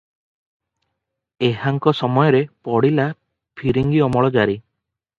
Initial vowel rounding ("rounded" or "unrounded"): unrounded